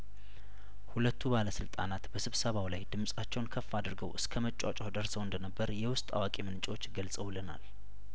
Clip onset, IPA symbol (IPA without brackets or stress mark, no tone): h